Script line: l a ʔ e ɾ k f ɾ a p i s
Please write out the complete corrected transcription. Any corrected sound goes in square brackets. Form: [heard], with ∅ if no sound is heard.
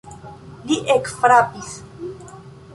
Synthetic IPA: l [i] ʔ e [∅] k f ɾ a p i s

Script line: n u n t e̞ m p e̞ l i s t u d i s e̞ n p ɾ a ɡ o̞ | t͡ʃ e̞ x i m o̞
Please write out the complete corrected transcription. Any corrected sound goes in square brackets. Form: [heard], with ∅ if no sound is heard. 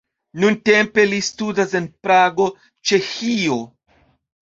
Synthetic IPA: n u n t e̞ m p e̞ l i s t u d [a] s e̞ n p ɾ a ɡ o̞ | t͡ʃ e̞ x i [∅] o̞

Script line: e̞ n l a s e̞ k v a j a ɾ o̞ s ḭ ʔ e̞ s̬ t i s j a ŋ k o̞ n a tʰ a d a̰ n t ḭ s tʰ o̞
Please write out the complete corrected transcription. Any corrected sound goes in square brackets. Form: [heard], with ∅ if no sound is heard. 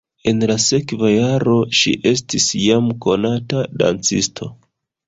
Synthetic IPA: e̞ n l a s e̞ k v a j a ɾ o̞ [ʃ] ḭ ʔ e̞ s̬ t i s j a [m] k o̞ n a [t] a d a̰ n [t͡s] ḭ s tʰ o̞

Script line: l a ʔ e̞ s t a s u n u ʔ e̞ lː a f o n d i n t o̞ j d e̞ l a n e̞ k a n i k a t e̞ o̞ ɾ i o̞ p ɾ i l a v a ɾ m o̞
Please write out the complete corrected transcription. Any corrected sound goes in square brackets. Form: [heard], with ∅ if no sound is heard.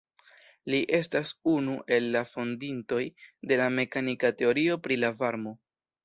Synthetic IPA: l [i] ʔ e̞ s t a s u n u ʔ e̞ lː a f o n d i n t o̞ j d e̞ l a [m] e̞ k a n i k a t e̞ o̞ ɾ i o̞ p ɾ i l a v a ɾ m o̞

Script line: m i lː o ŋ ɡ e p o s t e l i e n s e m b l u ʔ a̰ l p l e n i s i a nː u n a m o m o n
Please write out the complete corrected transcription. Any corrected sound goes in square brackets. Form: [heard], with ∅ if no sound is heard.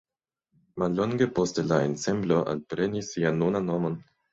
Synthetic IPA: m [a] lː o ŋ ɡ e p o s t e l [a] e n s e m b l [o] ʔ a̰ l p [ɾ] e n i s i a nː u n a [n] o m o n

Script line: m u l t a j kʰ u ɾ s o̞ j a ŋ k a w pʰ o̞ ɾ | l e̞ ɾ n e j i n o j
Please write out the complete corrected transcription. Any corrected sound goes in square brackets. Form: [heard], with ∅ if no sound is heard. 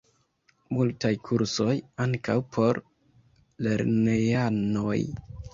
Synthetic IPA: m u l t a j kʰ u ɾ s o̞ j a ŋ k a w pʰ o̞ ɾ | l e̞ ɾ n e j [a] n o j

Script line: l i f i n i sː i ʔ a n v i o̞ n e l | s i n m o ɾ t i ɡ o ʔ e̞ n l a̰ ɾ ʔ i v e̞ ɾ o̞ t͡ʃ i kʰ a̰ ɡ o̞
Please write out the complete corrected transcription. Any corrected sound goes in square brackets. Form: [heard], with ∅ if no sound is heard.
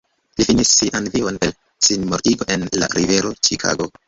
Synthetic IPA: l i f i n i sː i ʔ a n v i o̞ n e l | s i n m o ɾ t i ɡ o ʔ e̞ n l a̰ ɾ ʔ i v e̞ ɾ o̞ t͡ʃ i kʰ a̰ ɡ o̞

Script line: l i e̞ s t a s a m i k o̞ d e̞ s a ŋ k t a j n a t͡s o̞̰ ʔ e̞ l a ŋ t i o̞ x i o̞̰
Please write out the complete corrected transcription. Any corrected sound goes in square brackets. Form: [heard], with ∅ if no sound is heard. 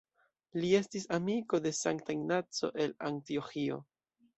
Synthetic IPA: l i e̞ s t [i] s a m i k o̞ d e̞ s a ŋ k t a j n a t͡s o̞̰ ʔ e̞ l a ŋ t i o̞ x i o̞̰

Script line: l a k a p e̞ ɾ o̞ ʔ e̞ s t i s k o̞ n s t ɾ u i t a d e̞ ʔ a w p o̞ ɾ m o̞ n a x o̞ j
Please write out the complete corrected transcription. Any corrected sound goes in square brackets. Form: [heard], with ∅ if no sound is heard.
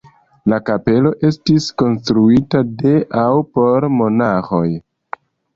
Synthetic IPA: l a k a p e̞ [l] o̞ ʔ e̞ s t i s k o̞ n s t ɾ u i t a d e̞ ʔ a w p o̞ ɾ m o̞ n a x o̞ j

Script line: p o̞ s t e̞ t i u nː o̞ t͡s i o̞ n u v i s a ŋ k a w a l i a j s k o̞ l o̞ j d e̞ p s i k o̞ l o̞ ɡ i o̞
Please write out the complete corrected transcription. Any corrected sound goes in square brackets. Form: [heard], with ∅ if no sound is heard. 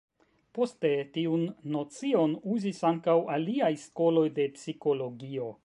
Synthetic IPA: p o̞ s t e̞ t i u nː o̞ t͡s i o̞ n u [z] i s a ŋ k a w a l i a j s k o̞ l o̞ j d e̞ p s i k o̞ l o̞ ɡ i o̞

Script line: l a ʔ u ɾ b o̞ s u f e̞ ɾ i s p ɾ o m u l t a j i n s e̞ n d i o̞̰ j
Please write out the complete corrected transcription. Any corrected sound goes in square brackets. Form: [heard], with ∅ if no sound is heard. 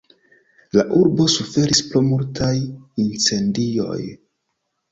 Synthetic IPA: l a ʔ u ɾ b o̞ s u f e̞ ɾ i s p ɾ o m u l t a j i n [t͡s] e̞ n d i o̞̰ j

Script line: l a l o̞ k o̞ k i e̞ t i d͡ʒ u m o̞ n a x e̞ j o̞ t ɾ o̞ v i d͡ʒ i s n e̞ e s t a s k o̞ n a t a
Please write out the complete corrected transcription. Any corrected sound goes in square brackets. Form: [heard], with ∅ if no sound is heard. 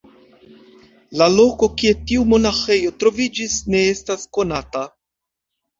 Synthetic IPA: l a l o̞ k o̞ k i e̞ t i [∅] u m o̞ n a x e̞ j o̞ t ɾ o̞ v i d͡ʒ i s n e̞ e s t a s k o̞ n a t a

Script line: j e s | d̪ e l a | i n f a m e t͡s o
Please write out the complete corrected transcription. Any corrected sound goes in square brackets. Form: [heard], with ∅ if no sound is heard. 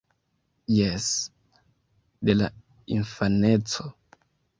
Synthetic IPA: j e s | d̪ e l a | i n f a [n] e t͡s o

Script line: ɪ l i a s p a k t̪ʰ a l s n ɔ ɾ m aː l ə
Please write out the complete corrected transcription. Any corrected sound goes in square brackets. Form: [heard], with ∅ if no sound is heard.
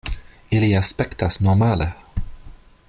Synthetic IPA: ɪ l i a s p [ɛ] k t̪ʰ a [∅] s n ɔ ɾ m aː l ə

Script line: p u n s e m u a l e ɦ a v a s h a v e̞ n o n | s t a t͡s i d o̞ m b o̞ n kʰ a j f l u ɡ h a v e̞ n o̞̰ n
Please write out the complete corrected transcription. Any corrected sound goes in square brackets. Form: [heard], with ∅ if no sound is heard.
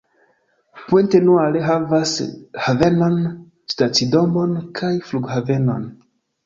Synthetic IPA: p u n [t] e [n] u a l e ɦ a v a s h a v e̞ n o n | s t a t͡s i d o̞ m b o̞ n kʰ a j f l u ɡ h a v e̞ n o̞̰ n

